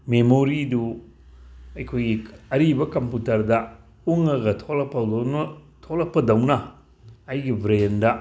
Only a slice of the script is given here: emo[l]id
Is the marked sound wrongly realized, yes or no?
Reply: yes